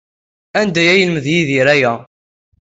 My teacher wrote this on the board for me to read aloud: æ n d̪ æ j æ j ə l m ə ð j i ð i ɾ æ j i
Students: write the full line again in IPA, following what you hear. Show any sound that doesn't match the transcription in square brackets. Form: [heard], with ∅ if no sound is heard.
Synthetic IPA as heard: æ n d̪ æ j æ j ə l m ə ð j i ð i ɾ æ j [æ]